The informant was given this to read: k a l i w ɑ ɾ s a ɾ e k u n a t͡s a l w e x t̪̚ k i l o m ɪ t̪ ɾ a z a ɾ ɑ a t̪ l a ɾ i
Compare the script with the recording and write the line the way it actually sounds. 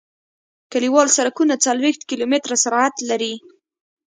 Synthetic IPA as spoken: k a l i w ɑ l s a ɾ a k u n a t͡s a l w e x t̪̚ k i l o m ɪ t̪ ɾ a s a ɾ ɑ a t̪ l a ɾ i